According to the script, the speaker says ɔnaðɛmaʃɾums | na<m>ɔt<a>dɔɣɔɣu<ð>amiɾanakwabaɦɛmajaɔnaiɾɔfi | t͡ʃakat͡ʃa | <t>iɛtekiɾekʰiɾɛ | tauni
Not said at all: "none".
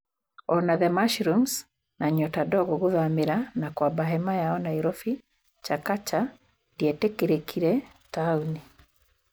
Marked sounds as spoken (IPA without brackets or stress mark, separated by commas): ɲ, a, ð, d